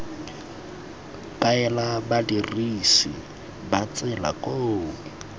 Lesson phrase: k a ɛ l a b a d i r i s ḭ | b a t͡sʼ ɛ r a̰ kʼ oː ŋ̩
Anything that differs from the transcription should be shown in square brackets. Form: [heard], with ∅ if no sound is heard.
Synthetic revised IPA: k a ɛ l a b a d i r i s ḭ | b a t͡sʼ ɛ [l] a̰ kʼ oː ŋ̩